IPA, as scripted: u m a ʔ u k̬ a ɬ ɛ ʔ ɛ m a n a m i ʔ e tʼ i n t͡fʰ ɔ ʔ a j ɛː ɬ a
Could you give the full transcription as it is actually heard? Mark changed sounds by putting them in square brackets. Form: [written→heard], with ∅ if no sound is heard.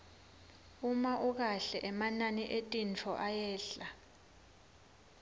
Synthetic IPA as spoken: u m a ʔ u k̬ a ɬ ɛ ʔ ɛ m a n a [m→n] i ʔ e tʼ i n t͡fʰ ɔ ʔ a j ɛː ɬ a

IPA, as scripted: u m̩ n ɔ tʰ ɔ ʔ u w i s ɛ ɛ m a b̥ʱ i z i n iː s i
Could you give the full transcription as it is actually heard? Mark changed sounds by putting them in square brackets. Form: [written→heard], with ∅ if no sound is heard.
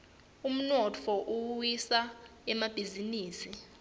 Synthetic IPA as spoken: u m̩ n ɔ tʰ ɔ ʔ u w i s [ɛ→a] ɛ m a b̥ʱ i z i n iː s i

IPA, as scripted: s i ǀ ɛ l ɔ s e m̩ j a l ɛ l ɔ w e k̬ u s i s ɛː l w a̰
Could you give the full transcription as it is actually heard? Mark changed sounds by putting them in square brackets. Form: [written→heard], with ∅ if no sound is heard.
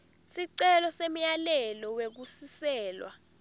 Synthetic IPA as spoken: s i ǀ ɛ l ɔ s e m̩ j a l ɛ l ɔ w e k̬ u s i s ɛː l w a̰

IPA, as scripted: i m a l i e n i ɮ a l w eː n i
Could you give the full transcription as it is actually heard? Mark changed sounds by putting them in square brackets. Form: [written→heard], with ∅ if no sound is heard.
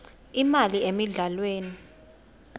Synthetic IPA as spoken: i m a l i e [n→m] i ɮ a l w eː n i

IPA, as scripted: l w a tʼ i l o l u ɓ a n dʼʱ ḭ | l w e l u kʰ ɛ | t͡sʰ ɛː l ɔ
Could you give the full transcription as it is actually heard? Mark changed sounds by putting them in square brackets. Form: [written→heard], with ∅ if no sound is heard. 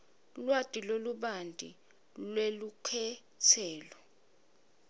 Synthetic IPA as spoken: l w a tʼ i l o l u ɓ a n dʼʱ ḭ | l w e l u kʰ ɛ | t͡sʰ ɛː l ɔ

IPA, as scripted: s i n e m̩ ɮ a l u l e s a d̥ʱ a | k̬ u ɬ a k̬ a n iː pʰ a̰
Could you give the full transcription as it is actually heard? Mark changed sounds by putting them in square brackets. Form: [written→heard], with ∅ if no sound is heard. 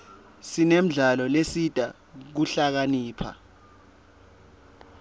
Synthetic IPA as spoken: s i n e m̩ ɮ a l [u→ɔ] l e s [a→i] d̥ʱ a | k̬ u ɬ a k̬ a n iː pʰ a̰

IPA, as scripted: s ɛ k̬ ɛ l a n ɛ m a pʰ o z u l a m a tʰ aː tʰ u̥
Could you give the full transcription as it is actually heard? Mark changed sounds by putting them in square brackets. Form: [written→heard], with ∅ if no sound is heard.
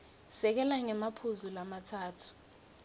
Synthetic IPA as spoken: s ɛ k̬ ɛ l a [n→ŋ] ɛ m a pʰ [o→u] z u l a m a tʰ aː tʰ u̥

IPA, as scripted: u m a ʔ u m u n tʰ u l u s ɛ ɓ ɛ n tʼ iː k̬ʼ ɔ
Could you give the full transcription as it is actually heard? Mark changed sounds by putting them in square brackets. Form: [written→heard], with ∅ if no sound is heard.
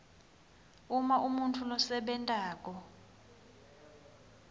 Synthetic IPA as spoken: u m a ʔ u m u n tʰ u l [u→ɔ] s ɛ ɓ ɛ n tʼ [iː→aː] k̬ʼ ɔ

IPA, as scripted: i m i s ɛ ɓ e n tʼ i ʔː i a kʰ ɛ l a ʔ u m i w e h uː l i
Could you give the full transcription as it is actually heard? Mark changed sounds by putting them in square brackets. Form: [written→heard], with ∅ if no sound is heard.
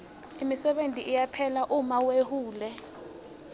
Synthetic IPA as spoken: i m i s ɛ ɓ e n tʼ i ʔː [i→j] a [kʰ→pʰ] ɛ l a ʔ u m [i→a] w e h uː l [i→ɛ]

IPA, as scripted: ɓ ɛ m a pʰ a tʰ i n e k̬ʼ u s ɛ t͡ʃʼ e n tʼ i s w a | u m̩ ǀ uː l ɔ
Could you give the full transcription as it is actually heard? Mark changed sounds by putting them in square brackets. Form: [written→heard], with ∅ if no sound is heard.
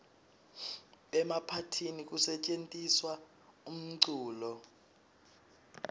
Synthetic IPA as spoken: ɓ ɛ m a pʰ a tʰ i n [e→i] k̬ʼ u s ɛ t͡ʃʼ e n tʼ i s w a | u m̩ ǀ uː l ɔ

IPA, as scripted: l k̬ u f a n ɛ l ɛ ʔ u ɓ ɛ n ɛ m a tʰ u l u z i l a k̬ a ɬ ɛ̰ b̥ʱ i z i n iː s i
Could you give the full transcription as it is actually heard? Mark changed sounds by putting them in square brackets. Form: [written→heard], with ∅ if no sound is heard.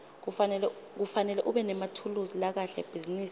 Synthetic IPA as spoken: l k̬ u f a n ɛ l ɛ ʔ u ɓ ɛ n ɛ m a tʰ u l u z i l a k̬ a ɬ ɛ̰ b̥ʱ i z i n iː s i

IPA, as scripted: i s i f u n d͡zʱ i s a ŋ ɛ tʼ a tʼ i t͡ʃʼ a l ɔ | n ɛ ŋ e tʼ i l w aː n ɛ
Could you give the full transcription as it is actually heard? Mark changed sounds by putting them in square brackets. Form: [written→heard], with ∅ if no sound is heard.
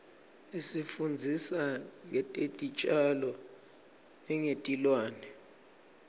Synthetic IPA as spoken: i s i f u n d͡zʱ i s a ŋ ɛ tʼ [a→e] tʼ i t͡ʃʼ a l ɔ | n ɛ ŋ e tʼ i l w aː n ɛ

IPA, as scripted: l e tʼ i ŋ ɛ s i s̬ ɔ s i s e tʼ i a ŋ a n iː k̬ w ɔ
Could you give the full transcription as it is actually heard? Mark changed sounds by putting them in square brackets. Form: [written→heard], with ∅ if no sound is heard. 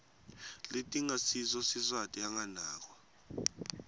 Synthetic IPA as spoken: l e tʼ i ŋ [ɛ→a] s i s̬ ɔ s i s [e→a] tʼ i a ŋ a n [iː→aː] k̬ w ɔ

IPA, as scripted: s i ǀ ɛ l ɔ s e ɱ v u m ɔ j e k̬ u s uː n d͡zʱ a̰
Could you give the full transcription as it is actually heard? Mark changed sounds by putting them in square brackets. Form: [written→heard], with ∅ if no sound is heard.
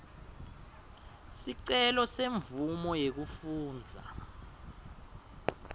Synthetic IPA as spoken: s i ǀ ɛ l ɔ s e ɱ v u m ɔ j e k̬ u [s→f] uː n d͡zʱ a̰

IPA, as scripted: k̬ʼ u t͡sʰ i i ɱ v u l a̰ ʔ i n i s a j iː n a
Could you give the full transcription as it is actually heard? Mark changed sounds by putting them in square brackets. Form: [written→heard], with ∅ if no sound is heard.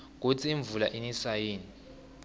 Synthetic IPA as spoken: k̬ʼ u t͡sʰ i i ɱ v u l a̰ ʔ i n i s a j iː n [a→i]

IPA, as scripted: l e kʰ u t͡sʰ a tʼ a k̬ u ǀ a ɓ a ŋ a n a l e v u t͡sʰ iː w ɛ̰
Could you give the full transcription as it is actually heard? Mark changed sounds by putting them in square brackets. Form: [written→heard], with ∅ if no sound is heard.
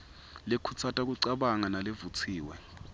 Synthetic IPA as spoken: l e kʰ u t͡sʰ a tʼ a k̬ u ǀ a ɓ a ŋ a n a l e v u t͡sʰ iː w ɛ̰

